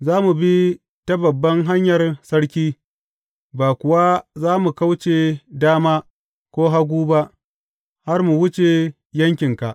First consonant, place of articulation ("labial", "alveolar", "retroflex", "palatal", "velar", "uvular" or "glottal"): alveolar